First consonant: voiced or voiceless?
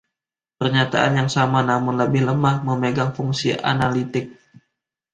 voiceless